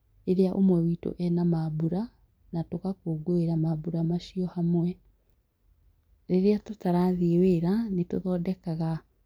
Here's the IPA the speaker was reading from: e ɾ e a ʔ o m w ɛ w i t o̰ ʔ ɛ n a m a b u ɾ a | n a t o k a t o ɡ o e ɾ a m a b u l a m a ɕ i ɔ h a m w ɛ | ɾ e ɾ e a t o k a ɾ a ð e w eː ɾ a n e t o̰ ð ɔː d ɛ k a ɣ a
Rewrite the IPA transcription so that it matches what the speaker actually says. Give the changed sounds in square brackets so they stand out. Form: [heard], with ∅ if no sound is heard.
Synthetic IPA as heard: e ɾ e a ʔ o m w ɛ w i t o̰ ʔ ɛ n a m a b u ɾ a | n a t o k a [k] o ɡ o e ɾ a m a b u [ɾ] a m a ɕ i ɔ h a m w ɛ | ɾ e ɾ e a t o [t] a ɾ a ð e w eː ɾ a n e t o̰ ð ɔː d ɛ k a ɣ a

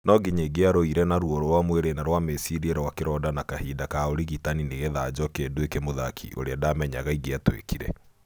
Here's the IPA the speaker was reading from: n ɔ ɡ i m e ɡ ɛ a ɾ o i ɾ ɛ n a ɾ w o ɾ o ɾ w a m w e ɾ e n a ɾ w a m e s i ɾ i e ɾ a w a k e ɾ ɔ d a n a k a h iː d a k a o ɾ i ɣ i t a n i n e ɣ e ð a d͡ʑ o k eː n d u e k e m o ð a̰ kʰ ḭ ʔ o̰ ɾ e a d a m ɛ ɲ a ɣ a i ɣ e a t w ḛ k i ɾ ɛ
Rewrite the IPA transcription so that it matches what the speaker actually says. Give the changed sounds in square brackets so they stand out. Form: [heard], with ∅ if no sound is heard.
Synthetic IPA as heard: n ɔ ɡ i [ɲ] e ɡ [e] a ɾ o i ɾ ɛ n a ɾ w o ɾ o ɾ w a m w e ɾ e n a ɾ w a m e s i ɾ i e ɾ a w a k e ɾ ɔ d a n a k a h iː d a k a o ɾ i ɣ i t a n i n e ɣ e ð a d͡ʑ [ɔ] k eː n d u e k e m o ð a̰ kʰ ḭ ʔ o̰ ɾ e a d a m ɛ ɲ a ɣ a i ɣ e a t w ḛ k i ɾ ɛ

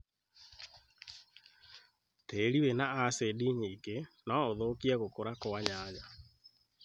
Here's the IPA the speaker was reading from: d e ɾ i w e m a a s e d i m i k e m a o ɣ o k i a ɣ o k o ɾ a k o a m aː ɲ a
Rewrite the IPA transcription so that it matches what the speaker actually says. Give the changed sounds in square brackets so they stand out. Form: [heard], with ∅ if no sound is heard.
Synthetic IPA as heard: [t] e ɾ i w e [n] a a s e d i [ɲ] i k e [n] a o [ð] o k i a ɣ o k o ɾ a k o a [ɲ] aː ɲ a

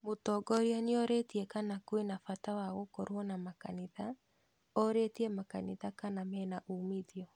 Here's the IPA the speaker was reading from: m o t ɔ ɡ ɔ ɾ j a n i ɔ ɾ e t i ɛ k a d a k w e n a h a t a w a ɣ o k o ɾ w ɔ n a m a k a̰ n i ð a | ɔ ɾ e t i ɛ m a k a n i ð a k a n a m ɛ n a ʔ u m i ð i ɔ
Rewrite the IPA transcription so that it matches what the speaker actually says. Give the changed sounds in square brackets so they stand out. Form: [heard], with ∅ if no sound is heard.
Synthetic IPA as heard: m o t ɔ ɡ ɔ ɾ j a n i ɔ ɾ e t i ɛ k a [n] a k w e n a [f] a t a w a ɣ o k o ɾ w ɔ n a m a k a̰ n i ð a | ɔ ɾ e t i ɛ m a k a n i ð a k a n a m ɛ n a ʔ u m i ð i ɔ

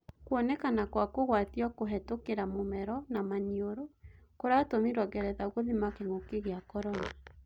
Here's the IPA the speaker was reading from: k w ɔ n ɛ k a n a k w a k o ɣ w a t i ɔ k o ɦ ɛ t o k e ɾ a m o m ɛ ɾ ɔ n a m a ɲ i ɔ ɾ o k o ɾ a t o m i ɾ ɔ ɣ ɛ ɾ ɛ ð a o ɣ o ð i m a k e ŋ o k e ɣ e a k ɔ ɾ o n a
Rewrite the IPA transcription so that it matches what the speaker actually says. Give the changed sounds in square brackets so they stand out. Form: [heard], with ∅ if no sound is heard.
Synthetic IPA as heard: k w ɔ n ɛ k a n a k w a k o ɣ w a t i ɔ k o ɦ ɛ t o k e ɾ a m o m ɛ ɾ ɔ n a m a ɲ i [o] ɾ o k o ɾ a t o m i ɾ ɔ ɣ ɛ ɾ ɛ ð a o ɣ o ð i m a k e ŋ o k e ɣ e a k ɔ ɾ [ɔ] n a

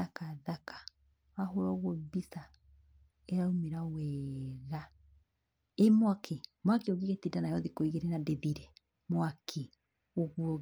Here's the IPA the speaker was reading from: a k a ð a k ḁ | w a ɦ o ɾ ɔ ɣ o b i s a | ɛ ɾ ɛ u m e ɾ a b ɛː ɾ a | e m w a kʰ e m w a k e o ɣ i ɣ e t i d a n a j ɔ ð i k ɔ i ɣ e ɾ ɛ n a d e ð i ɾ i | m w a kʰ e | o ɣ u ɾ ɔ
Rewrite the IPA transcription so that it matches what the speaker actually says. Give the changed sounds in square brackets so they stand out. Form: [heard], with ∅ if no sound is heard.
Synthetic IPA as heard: a k a ð a k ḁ | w a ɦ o ɾ ɔ ɣ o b i s a | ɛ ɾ [a] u m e ɾ a [w] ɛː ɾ a | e m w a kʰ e m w a k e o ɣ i ɣ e t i d a n a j ɔ ð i k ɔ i ɣ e ɾ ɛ n a d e ð i ɾ [ɛ] | m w a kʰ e | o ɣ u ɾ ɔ

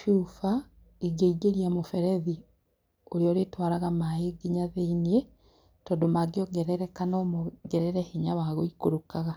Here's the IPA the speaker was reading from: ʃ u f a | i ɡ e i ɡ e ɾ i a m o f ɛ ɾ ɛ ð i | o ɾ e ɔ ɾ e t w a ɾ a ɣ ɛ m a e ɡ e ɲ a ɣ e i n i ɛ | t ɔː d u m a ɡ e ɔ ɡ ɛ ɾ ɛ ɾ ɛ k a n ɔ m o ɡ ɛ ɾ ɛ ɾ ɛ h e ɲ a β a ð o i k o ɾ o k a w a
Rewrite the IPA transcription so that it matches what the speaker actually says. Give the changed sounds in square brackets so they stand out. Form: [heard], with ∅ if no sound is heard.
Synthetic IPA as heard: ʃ u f a | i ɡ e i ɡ e ɾ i a m o f ɛ ɾ ɛ ð i | o ɾ e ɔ ɾ e t w a ɾ a ɣ [a] m a e ɡ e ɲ a [ð] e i n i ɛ | t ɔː d [o] m a ɡ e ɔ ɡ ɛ ɾ ɛ ɾ ɛ k a n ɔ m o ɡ ɛ ɾ ɛ ɾ ɛ h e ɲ a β a [ɣ] o i k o ɾ o k a [ɣ] a

